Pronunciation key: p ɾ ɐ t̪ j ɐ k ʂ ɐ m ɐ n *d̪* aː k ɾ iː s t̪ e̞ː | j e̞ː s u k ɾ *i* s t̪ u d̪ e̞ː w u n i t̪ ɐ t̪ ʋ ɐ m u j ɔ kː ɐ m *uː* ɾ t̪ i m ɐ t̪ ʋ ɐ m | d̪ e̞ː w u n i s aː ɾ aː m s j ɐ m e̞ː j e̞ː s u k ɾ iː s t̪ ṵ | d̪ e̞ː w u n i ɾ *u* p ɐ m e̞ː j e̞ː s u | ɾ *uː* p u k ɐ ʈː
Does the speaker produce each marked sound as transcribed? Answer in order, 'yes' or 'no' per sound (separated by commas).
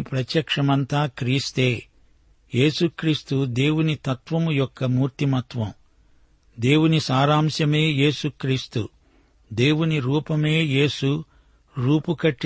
no, no, yes, no, yes